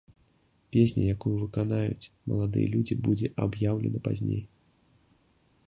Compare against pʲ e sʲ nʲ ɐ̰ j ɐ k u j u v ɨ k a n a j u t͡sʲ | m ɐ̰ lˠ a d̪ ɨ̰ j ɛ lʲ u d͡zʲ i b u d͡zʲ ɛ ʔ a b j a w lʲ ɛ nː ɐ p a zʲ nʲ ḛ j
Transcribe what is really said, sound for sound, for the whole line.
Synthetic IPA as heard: pʲ e sʲ nʲ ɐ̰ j a k u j u v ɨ k a n a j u t͡sʲ | m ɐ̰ lˠ a d̪ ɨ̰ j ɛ lʲ u d͡zʲ i b u d͡zʲ ɛ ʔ a b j a w lʲ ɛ n ɐ p a zʲ nʲ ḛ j